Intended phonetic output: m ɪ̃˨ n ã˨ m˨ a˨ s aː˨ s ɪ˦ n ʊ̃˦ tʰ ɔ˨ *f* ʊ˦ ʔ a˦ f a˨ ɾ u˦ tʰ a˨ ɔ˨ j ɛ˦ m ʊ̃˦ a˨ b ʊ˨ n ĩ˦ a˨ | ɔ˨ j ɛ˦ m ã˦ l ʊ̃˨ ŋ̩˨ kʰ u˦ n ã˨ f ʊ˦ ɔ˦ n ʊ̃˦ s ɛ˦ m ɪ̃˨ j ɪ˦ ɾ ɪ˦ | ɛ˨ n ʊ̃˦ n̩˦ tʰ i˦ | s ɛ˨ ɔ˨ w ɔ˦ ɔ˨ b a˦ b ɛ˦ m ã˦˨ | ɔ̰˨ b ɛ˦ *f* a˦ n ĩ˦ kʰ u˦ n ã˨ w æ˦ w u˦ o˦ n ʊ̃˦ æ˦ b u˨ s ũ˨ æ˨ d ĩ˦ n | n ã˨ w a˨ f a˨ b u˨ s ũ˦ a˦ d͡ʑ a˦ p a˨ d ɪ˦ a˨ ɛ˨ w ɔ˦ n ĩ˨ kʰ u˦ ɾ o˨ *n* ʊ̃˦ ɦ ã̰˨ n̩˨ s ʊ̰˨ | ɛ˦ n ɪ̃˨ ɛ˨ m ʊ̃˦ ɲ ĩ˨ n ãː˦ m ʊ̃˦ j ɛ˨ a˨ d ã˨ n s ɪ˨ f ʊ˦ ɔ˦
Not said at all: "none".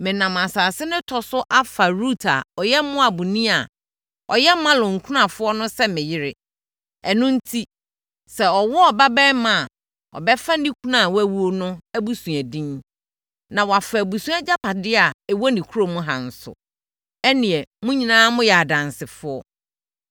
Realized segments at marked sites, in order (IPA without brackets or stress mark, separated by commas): s, f, m